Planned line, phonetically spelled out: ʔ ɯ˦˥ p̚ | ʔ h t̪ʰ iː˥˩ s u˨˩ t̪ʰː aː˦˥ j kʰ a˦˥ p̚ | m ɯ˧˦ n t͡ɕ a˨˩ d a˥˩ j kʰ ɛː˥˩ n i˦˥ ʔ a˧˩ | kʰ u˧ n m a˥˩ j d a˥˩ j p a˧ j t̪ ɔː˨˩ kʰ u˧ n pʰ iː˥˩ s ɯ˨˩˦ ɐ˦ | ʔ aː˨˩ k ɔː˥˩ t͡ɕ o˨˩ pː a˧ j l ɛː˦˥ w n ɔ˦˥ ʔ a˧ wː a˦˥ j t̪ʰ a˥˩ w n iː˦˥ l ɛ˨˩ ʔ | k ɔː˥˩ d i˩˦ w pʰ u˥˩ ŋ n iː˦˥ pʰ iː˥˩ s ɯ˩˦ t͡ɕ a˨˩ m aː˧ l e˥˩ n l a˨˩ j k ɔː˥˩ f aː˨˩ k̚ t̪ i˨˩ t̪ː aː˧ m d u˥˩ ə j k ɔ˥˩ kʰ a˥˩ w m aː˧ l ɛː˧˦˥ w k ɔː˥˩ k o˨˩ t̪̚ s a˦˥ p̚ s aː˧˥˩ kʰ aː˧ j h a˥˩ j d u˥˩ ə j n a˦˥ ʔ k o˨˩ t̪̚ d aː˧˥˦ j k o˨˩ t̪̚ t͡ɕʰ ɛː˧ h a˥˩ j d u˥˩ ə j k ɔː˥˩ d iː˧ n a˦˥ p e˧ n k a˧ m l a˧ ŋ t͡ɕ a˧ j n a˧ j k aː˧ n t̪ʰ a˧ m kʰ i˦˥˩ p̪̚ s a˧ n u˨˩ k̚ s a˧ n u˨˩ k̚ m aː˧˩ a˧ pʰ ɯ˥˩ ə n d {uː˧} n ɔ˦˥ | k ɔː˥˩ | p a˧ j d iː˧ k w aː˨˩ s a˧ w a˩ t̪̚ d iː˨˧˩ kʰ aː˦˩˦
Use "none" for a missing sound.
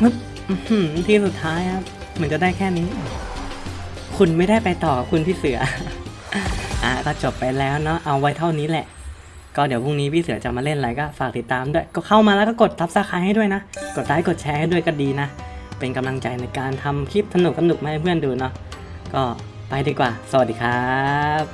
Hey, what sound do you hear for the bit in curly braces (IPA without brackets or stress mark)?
uː˧